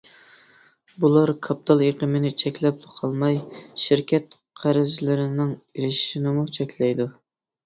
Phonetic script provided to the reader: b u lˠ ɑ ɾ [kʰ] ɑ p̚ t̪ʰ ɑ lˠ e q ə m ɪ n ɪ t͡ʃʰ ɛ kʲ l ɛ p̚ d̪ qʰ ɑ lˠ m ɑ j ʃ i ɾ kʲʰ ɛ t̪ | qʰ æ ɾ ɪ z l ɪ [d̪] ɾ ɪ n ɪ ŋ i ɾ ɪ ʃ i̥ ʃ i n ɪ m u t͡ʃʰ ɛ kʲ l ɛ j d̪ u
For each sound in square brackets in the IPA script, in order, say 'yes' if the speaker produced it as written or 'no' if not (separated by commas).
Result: yes, no